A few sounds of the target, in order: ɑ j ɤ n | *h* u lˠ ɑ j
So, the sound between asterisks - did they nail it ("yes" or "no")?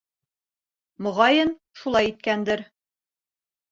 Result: no